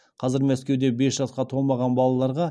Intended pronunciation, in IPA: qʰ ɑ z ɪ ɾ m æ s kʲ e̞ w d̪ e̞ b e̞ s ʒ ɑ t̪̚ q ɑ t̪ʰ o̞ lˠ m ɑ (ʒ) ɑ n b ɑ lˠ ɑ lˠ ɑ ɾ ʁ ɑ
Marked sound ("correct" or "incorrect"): incorrect